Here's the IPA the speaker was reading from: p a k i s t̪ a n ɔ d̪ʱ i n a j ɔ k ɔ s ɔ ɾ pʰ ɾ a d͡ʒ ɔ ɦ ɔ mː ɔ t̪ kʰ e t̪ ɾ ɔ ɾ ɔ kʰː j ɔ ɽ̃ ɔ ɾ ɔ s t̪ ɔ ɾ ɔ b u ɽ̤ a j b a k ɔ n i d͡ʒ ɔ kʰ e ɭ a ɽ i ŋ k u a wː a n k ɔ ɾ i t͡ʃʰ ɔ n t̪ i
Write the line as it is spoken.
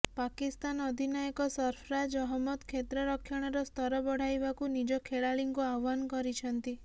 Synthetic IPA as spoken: p a k i s t̪ a n ɔ d̪ʱ i n a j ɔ k ɔ s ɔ ɾ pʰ ɾ a d͡ʒ ɔ ɦ ɔ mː ɔ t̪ kʰ e t̪ ɾ ɔ ɾ ɔ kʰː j ɔ ɽ̃ ɔ ɾ ɔ s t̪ ɔ ɾ ɔ b ɔ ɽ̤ a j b a k u n i d͡ʒ ɔ kʰ e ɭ a ɭ i ŋ k u a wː a n k ɔ ɾ i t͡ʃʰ ɔ n t̪ i